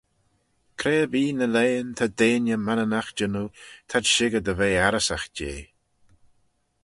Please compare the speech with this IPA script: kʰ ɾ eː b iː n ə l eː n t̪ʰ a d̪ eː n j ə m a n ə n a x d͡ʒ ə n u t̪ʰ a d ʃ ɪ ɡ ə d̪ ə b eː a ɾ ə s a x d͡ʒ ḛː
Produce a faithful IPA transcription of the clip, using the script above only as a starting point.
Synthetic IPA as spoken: kʰ ɾ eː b iː n ə l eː n t̪ʰ a d̪ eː n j ə m a n ə n a x d͡ʒ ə n u t̪ʰ a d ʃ ɪ ɡ ə d̪ ə v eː a ɾ ə s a x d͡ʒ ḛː